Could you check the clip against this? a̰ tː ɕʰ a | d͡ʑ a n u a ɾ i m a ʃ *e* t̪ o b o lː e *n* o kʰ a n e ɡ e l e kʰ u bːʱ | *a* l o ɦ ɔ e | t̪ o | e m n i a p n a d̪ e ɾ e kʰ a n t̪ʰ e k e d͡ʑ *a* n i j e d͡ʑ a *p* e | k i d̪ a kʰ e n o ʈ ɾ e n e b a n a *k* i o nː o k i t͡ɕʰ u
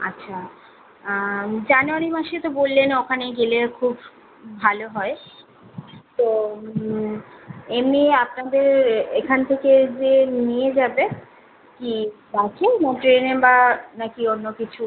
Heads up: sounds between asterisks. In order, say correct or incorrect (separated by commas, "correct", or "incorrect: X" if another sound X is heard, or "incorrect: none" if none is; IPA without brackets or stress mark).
correct, correct, correct, incorrect: e, incorrect: b, correct